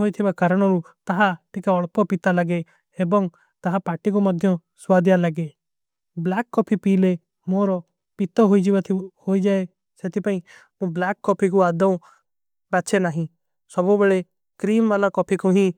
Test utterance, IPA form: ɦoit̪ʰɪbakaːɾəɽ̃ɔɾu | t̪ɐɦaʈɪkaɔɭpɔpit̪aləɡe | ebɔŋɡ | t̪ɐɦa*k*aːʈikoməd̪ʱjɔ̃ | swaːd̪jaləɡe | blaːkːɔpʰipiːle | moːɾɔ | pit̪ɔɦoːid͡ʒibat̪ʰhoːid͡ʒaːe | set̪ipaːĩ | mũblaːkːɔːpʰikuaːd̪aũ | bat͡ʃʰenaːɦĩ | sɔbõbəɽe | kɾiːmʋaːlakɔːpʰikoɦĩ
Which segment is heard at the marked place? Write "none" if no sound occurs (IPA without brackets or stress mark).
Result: p